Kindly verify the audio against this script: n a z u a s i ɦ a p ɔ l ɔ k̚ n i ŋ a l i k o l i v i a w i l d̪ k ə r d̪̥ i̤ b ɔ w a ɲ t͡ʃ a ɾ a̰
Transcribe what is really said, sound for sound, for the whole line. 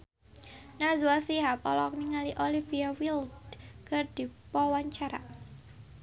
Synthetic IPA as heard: n a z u a s i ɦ a p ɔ l ɔ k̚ n i ŋ a l i ʔ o l i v i a w i l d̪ k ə r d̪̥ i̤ p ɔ w a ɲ t͡ʃ a ɾ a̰